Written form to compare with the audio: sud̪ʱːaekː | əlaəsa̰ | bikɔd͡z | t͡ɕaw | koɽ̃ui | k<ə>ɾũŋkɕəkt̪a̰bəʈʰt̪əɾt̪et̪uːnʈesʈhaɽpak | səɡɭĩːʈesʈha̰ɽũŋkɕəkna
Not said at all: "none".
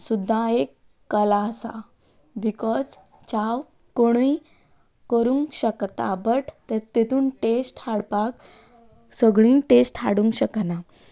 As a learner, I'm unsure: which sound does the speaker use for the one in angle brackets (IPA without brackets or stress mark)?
ə